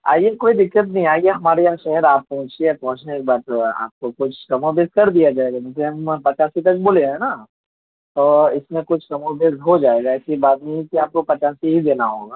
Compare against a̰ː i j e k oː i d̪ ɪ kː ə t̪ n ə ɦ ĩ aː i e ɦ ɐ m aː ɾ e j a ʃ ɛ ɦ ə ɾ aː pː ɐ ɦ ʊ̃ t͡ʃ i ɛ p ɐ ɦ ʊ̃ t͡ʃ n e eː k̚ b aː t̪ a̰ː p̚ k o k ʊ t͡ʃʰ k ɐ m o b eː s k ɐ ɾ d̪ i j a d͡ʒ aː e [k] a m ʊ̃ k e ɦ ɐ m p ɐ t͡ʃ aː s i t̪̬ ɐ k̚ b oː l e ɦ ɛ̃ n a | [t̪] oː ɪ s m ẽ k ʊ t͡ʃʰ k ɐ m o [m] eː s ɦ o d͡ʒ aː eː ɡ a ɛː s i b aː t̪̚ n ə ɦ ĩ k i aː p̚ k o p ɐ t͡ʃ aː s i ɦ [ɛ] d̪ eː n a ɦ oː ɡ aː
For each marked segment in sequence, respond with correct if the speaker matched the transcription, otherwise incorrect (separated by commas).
incorrect, correct, incorrect, incorrect